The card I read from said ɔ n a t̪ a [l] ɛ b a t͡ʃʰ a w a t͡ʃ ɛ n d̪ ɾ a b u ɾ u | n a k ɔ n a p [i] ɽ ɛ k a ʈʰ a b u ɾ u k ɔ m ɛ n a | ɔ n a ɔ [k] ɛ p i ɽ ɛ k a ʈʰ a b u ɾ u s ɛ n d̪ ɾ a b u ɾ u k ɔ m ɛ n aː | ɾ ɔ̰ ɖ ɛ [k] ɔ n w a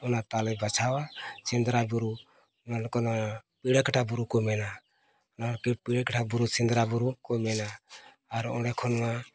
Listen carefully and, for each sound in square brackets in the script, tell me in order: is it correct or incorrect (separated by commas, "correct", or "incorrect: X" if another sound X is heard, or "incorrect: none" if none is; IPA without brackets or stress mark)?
correct, correct, correct, incorrect: kʰ